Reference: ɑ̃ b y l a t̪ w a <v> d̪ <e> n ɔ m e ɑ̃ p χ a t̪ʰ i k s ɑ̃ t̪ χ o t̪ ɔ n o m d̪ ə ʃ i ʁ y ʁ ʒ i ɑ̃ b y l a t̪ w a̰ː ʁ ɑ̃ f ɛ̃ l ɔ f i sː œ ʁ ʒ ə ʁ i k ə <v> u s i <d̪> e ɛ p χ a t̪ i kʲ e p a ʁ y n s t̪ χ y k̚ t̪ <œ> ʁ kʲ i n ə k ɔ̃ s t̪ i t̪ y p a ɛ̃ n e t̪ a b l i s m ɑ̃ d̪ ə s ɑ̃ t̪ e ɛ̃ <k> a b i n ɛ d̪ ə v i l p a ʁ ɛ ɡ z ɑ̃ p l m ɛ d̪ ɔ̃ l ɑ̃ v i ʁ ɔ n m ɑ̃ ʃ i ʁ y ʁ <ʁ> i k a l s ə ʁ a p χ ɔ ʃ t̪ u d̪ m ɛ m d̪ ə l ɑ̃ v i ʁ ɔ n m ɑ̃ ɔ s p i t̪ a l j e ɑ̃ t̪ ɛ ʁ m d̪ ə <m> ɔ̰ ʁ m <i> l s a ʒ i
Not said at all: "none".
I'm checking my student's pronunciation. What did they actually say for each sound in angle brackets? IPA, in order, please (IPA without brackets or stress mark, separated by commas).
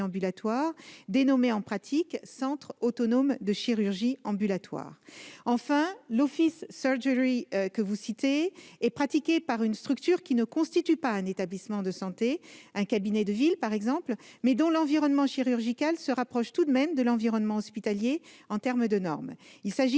ʁ, e, v, t̪, y, k, ʒ, n, i